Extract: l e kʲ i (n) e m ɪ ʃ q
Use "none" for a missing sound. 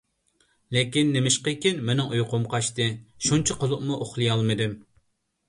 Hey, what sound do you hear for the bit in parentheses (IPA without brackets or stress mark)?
nː